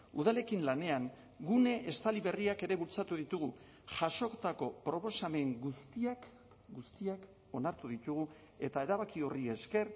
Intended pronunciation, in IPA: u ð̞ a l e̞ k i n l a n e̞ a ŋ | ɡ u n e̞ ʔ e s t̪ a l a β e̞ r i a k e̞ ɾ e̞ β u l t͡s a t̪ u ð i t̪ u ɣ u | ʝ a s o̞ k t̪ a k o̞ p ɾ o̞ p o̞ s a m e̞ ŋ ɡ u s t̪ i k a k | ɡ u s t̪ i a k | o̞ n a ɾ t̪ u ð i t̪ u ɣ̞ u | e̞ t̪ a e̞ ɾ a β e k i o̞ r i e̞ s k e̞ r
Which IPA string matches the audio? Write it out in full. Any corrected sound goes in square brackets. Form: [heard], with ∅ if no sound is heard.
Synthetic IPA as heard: u ð̞ a l e̞ k i n l a n e̞ a ŋ | ɡ u n e̞ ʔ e s t̪ a l [i] β e̞ r i a k e̞ ɾ e̞ β u l t͡s a t̪ u ð i t̪ u ɣ u | ʝ a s o̞ k t̪ a k o̞ p ɾ o̞ p o̞ s a m e̞ ŋ ɡ u s t̪ i [∅] a k | ɡ u s t̪ i a k | o̞ n a ɾ t̪ u ð i t̪ u ɣ̞ u | e̞ t̪ a e̞ ɾ a β [a] k i o̞ r i e̞ s k e̞ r